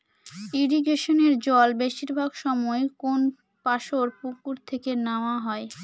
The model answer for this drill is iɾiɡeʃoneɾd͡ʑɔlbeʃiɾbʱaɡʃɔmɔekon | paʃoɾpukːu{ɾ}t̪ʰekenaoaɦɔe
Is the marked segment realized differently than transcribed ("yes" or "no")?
no